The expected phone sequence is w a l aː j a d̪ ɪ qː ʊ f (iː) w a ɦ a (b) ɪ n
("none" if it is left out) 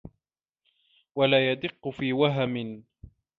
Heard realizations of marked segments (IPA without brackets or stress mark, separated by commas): iː, m